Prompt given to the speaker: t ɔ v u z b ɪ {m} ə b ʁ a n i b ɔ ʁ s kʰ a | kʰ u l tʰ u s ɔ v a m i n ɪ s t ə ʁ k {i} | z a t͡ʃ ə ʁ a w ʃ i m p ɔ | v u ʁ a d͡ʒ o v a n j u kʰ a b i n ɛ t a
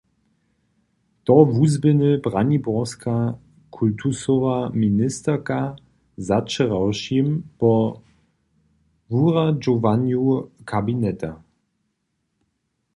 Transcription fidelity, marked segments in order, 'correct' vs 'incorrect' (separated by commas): incorrect, incorrect